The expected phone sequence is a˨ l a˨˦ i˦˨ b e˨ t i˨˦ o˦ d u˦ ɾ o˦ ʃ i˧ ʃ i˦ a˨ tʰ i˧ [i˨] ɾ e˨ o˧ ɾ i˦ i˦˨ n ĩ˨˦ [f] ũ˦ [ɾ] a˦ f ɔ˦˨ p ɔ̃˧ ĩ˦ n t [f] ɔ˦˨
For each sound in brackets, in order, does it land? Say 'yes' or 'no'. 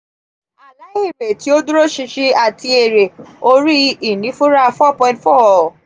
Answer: no, yes, yes, yes

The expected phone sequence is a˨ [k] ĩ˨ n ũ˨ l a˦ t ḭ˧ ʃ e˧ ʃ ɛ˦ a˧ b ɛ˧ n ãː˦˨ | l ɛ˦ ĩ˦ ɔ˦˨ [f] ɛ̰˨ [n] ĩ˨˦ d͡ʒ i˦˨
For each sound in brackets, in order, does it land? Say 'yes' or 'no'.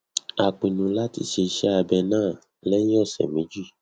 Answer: no, no, no

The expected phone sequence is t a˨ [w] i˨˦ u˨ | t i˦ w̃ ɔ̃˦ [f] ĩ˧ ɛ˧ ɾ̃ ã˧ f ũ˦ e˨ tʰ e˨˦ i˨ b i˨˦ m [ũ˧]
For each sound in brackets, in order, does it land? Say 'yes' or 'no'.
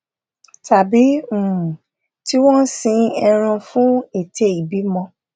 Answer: no, no, no

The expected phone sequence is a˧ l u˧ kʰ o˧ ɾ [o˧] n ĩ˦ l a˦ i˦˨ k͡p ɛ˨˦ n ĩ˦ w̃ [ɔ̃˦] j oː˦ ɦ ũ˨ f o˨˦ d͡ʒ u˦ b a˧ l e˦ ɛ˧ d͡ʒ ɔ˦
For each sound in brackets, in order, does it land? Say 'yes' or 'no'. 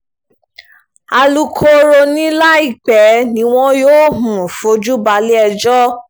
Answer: yes, yes

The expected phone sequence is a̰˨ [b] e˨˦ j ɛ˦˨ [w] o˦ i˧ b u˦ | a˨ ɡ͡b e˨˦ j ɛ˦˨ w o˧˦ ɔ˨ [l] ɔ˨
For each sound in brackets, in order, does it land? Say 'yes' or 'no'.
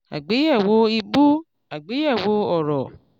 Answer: no, yes, no

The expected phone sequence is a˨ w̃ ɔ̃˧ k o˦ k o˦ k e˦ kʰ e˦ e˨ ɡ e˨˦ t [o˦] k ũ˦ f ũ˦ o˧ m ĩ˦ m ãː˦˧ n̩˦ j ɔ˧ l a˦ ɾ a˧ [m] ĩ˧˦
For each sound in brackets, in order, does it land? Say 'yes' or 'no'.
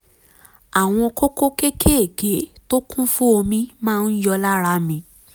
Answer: yes, yes

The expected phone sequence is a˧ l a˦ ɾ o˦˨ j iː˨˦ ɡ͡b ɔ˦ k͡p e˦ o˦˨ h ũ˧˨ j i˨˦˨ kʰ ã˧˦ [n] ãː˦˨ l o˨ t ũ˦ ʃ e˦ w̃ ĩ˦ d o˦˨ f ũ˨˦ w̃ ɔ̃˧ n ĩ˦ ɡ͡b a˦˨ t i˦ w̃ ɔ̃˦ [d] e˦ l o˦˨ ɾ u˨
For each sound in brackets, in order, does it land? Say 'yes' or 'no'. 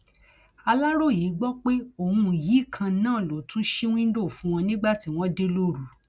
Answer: yes, yes

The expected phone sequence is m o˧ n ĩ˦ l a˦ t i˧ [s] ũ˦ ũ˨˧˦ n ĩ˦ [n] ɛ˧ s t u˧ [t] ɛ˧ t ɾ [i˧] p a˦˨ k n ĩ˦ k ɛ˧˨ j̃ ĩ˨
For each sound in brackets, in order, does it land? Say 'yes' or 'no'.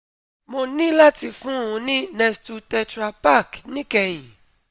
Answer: no, yes, yes, no

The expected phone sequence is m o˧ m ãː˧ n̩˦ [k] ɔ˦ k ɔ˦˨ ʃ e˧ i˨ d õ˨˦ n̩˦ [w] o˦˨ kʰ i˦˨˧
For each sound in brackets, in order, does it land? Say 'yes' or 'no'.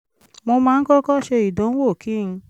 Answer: yes, yes

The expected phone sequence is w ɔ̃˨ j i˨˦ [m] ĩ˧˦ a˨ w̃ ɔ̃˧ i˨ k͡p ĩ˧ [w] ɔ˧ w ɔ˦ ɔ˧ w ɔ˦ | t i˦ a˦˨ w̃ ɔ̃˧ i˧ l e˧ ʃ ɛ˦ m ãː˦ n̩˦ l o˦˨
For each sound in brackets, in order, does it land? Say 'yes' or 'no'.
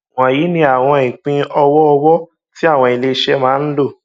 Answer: no, no

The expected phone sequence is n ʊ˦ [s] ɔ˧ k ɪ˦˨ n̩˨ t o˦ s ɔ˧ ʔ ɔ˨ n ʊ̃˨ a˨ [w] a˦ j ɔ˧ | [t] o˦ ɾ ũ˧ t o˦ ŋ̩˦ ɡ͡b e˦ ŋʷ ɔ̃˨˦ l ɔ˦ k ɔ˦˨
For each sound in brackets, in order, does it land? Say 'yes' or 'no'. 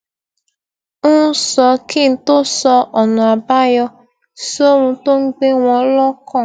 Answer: yes, no, no

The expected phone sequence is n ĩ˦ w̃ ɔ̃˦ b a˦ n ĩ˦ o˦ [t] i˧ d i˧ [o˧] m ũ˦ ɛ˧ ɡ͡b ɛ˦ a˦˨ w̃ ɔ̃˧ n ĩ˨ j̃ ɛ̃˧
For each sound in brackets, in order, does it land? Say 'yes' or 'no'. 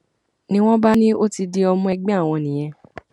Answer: yes, no

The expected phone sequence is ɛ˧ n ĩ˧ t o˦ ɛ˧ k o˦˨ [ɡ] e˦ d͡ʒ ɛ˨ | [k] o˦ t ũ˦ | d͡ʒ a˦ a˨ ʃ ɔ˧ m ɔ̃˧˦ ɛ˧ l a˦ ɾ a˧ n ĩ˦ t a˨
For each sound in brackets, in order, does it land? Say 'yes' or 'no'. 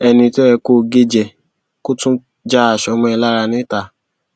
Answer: yes, yes

